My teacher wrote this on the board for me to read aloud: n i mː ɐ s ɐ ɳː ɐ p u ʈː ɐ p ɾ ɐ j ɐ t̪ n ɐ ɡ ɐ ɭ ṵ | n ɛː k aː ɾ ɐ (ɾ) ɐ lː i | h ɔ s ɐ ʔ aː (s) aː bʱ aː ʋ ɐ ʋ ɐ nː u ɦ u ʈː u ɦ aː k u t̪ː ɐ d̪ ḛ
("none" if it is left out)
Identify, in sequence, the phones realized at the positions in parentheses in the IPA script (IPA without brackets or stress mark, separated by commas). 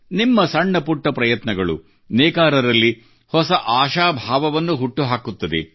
ɾ, ʃ